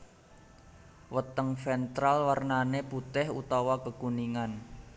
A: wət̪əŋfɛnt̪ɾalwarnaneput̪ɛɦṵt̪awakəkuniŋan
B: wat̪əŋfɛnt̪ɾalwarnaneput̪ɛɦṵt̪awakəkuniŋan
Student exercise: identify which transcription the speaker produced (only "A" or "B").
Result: A